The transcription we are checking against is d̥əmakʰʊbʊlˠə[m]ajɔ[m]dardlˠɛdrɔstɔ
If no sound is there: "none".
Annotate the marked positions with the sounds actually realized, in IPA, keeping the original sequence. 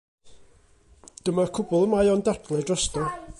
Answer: m, n

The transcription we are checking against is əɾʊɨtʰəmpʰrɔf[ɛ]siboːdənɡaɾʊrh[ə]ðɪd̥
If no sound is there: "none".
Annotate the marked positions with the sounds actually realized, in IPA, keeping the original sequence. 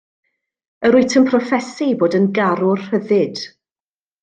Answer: ɛ, ə

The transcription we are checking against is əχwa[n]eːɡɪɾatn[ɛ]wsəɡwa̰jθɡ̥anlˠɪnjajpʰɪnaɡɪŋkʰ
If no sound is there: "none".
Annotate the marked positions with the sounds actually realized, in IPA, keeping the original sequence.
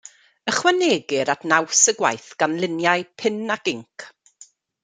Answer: n, a

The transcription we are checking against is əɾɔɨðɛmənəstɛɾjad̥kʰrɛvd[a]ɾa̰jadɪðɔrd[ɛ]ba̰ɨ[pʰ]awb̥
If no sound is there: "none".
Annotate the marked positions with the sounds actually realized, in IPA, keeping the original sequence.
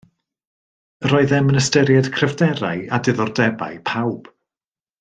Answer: ɛ, ɛ, pʰ

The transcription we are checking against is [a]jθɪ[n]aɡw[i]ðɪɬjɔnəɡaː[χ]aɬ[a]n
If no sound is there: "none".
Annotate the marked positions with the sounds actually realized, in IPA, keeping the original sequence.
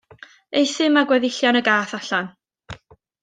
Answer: e, m, ɛ, θ, a

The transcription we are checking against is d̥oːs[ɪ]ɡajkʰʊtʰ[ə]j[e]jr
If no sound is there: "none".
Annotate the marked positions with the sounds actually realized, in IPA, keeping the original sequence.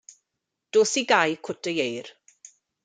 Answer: i, ə, e

